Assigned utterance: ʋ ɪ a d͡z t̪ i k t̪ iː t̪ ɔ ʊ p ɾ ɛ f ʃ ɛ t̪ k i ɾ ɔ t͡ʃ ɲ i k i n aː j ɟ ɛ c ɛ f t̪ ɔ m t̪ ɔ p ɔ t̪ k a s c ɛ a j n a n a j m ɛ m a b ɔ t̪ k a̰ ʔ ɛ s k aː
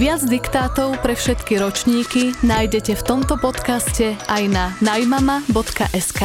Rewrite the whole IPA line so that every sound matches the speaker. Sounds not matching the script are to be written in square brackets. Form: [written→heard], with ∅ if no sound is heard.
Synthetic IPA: ʋ ɪ a d͡z [t̪→d̪] i k t̪ [iː→aː] t̪ ɔ ʊ p ɾ ɛ f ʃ ɛ t̪ k i ɾ ɔ t͡ʃ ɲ [i→iː] k i n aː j ɟ ɛ c ɛ f t̪ ɔ m t̪ ɔ p ɔ t̪ k a s c ɛ a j n a n a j m [ɛ→a] m a b ɔ t̪ k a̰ ʔ ɛ s k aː